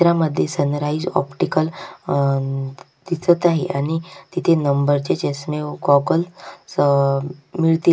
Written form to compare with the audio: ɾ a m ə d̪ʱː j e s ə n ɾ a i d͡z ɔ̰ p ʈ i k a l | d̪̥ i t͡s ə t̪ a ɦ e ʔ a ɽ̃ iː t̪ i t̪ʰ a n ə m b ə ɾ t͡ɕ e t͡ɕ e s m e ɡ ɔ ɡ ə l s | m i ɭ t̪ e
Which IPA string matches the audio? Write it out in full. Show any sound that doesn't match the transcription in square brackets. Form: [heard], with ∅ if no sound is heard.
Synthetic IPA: ɾ a m ə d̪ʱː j e s ə n ɾ a i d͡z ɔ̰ p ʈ i k [ə] l | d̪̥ i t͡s ə t̪ a ɦ e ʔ a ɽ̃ [i] t̪ i t̪ʰ [e] n ə m b ə ɾ t͡ɕ e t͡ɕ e s m e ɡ ɔ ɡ ə l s | m i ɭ t̪ [i]